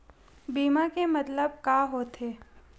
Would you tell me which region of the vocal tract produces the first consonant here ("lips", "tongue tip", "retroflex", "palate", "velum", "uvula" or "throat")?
lips